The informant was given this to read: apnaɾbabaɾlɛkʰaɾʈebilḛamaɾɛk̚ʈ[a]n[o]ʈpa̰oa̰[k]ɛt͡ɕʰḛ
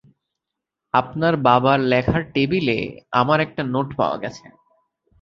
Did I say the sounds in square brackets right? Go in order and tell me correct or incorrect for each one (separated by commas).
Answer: correct, correct, incorrect